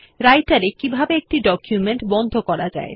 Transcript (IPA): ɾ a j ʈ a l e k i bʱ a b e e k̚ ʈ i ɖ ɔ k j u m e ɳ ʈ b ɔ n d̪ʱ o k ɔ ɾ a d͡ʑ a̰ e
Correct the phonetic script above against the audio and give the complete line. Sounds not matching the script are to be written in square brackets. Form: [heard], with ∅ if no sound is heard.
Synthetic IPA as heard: ɾ a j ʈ a [ɾ] e k i bʱ a b e e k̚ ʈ i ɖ ɔ k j u m e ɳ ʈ b ɔ n d̪ʱ o k ɔ ɾ a d͡ʑ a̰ e